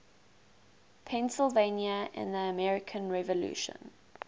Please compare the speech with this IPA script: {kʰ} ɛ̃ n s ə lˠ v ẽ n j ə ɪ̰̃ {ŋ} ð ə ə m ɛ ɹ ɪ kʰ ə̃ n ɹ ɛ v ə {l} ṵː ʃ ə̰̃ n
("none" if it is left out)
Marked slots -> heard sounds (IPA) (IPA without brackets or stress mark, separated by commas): pʰ, n, l